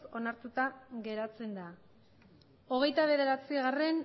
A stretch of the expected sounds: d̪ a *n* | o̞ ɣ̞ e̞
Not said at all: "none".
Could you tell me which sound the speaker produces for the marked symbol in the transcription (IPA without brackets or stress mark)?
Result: none